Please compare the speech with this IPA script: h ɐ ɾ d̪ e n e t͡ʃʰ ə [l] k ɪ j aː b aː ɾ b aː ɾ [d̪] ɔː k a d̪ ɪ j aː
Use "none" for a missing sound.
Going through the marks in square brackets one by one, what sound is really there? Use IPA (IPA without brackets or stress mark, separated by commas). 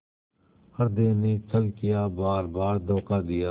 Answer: l, d̪